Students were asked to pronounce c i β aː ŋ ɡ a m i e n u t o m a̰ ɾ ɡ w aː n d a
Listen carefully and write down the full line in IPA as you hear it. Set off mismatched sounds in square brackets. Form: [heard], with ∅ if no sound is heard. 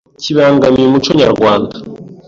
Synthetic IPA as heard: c i β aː ŋ ɡ a m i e [m] u [t͡ʃ] o [ɲ] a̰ ɾ ɡ w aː n d a